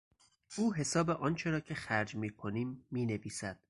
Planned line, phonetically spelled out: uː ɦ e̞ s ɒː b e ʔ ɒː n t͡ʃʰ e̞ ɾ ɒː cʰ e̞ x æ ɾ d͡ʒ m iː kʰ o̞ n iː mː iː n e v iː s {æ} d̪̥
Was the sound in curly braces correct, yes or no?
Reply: yes